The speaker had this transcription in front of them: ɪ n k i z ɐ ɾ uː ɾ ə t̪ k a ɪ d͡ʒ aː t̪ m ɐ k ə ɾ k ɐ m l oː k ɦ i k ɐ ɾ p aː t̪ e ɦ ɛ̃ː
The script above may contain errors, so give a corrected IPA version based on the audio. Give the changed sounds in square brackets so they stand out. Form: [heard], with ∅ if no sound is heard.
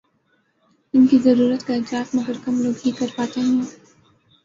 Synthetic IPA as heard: ɪ n k i z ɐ ɾ uː ɾ ə t̪ k a ɪ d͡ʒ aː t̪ m ɐ [ɡ] ə ɾ k ɐ m l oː [ɡ] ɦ i k ɐ ɾ p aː t̪ e ɦ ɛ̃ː